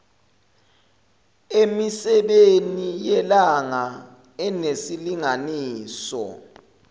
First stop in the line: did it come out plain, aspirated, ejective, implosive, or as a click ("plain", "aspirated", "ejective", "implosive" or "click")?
implosive